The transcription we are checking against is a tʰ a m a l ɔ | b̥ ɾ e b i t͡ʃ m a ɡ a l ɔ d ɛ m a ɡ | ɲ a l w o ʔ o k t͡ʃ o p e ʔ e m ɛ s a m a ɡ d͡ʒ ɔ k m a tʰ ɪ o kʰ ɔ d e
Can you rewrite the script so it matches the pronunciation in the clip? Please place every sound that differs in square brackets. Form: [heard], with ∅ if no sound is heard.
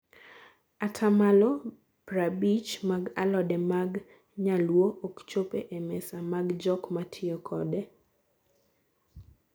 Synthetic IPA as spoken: a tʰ a m a l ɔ | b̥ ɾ [a] b i t͡ʃ m a ɡ a l ɔ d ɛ m a ɡ | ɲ a l w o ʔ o k t͡ʃ o p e ʔ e m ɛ s a m a ɡ d͡ʒ ɔ k m a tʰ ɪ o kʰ ɔ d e